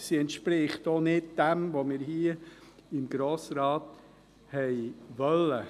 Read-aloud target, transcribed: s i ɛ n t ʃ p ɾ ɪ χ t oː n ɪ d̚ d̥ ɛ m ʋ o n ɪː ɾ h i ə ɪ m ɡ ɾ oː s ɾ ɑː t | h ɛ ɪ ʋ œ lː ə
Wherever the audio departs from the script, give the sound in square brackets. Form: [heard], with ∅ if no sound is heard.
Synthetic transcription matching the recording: s i ɛ n t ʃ p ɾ ɪ χ t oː n ɪ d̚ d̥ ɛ m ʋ o [m] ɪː ɾ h i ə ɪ m ɡ ɾ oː s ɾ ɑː t | h ɛ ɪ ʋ œ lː ə